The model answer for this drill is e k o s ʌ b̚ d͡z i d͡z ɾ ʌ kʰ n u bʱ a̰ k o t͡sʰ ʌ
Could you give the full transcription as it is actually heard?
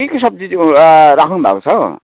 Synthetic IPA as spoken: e k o s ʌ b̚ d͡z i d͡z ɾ a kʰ n u bʱ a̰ k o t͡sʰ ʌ